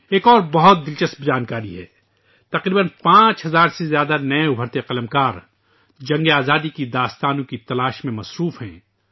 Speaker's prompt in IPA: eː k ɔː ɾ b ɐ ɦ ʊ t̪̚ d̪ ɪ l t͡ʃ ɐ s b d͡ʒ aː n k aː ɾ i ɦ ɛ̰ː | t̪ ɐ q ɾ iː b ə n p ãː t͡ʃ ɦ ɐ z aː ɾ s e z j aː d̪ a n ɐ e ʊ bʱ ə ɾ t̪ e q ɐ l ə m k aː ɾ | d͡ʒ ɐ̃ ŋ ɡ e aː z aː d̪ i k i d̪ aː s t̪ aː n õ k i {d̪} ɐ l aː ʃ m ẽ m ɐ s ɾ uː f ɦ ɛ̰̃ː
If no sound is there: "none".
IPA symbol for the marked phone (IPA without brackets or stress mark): t̪